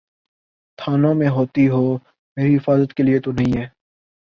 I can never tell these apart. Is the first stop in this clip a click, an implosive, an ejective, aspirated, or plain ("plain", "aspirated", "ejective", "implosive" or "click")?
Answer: aspirated